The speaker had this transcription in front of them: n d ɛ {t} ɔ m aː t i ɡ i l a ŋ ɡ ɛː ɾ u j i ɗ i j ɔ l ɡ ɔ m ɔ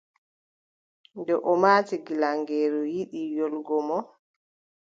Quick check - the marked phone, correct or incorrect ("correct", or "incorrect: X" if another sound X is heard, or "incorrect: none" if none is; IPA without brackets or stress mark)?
incorrect: ʔ